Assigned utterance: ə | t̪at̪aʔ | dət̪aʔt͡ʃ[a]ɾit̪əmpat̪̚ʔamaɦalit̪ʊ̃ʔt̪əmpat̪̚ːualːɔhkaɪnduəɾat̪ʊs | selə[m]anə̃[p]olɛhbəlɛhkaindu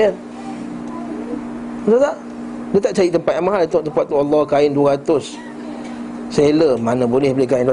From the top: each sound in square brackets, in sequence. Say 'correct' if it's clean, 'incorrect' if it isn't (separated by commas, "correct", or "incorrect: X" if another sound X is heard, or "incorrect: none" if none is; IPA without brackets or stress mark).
correct, correct, incorrect: b